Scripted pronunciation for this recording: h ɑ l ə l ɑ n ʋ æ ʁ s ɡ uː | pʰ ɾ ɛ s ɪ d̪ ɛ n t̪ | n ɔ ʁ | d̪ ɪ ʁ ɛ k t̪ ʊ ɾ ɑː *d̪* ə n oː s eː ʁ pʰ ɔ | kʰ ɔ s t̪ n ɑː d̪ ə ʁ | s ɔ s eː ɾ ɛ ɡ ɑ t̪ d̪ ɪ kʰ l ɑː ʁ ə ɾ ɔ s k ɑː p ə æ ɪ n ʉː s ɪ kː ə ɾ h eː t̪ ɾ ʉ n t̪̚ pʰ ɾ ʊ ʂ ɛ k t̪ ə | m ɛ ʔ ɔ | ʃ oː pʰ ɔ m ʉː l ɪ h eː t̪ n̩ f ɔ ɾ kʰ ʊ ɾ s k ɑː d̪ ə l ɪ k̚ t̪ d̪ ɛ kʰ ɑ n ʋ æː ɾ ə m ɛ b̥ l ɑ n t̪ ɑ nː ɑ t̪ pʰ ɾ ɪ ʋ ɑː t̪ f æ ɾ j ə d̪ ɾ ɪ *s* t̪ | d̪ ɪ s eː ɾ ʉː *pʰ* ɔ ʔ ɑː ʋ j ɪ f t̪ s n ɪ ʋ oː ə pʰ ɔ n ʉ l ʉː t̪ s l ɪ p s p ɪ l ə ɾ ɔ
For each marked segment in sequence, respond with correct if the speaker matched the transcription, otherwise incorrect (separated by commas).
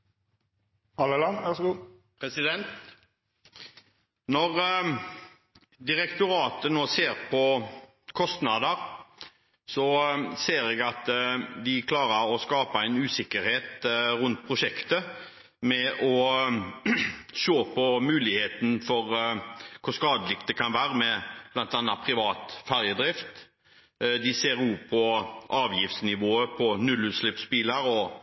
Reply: incorrect, incorrect, correct